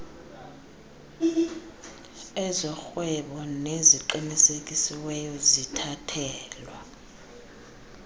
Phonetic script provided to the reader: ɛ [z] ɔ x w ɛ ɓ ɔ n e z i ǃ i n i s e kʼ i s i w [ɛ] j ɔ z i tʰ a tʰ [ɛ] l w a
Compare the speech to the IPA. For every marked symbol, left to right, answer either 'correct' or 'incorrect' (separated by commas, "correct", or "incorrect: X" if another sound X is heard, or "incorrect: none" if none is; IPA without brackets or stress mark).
correct, correct, incorrect: ɛː